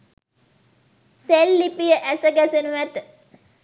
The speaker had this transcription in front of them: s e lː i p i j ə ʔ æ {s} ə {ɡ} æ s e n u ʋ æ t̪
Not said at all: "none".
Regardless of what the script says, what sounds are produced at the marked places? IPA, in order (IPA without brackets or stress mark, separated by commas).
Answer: s, ɡ